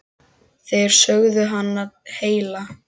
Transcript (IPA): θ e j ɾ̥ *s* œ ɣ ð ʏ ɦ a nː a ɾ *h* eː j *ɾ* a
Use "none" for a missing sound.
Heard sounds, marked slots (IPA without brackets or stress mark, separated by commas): s, h, l